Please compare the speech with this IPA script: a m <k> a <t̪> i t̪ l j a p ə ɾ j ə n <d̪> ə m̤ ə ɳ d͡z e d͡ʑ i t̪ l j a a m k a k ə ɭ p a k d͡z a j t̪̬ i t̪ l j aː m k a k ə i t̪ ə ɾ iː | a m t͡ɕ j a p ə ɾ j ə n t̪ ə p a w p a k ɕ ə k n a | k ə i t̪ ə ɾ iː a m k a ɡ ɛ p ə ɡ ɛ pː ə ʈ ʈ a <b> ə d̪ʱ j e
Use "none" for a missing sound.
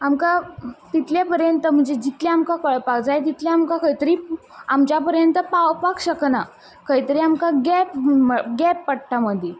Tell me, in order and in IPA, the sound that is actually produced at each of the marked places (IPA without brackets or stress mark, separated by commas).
k, t̪, t̪, m